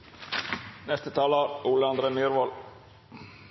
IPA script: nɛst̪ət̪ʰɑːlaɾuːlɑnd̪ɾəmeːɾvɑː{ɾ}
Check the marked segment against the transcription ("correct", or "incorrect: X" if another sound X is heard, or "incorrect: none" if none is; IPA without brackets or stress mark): incorrect: l